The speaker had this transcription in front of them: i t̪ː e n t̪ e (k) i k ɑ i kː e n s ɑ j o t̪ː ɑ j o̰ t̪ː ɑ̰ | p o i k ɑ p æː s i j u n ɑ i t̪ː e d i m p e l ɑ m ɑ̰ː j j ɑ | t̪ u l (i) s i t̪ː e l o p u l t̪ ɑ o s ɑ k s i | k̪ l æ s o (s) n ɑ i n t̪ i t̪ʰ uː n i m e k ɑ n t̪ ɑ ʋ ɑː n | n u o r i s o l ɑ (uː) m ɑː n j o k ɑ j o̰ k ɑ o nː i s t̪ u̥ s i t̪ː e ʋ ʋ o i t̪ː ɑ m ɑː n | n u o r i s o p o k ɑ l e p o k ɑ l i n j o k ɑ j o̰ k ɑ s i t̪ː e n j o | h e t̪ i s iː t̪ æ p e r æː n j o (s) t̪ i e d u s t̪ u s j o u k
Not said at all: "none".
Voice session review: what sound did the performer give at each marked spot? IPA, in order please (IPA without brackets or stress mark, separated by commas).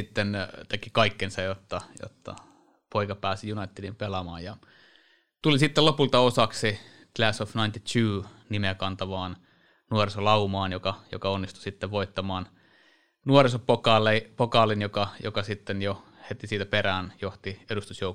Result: k, i, f, u, h